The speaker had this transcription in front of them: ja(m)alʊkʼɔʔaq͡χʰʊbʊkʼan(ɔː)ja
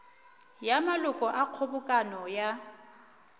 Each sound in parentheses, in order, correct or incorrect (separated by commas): correct, incorrect